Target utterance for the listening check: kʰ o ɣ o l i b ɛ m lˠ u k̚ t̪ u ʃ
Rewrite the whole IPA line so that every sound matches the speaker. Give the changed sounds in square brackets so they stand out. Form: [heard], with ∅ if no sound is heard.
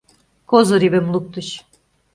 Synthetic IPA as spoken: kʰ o [z] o [ɾ] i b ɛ m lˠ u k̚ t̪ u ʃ